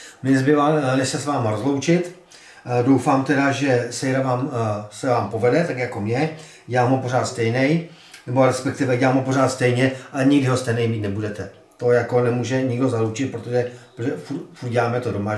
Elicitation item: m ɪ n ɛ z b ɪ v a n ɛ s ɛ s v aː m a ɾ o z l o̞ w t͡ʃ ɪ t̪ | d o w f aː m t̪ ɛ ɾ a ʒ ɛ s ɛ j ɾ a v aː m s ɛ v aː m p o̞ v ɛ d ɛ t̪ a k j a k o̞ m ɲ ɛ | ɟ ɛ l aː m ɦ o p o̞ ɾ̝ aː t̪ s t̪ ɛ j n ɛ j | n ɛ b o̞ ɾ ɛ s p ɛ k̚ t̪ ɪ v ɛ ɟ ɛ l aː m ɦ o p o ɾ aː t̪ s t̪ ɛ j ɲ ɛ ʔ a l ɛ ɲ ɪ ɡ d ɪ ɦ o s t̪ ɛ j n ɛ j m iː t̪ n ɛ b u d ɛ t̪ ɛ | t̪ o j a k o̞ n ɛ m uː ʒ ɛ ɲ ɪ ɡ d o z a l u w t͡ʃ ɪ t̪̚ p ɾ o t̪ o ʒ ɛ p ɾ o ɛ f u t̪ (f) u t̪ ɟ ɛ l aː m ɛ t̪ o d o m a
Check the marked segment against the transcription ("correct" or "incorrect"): correct